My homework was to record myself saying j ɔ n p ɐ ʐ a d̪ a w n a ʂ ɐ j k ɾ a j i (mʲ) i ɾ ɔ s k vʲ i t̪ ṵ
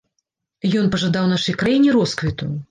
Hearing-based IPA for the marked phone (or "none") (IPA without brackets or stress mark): nʲ